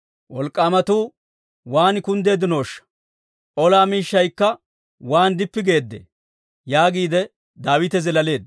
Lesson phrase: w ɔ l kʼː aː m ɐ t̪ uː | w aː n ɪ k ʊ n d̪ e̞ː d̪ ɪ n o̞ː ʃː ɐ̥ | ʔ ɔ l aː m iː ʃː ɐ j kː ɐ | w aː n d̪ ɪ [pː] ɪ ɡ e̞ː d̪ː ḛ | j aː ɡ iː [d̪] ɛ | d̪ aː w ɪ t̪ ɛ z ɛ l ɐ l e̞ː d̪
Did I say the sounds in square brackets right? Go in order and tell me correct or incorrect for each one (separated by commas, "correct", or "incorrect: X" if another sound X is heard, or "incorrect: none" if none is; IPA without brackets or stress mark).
correct, correct